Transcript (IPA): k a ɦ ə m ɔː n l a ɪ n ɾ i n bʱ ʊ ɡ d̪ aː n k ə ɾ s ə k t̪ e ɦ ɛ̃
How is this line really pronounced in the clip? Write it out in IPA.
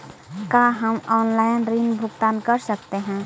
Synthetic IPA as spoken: k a ɦ ə m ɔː n l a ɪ n ɾ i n bʱ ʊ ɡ t̪ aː n k ə ɾ s ə k t̪ e ɦ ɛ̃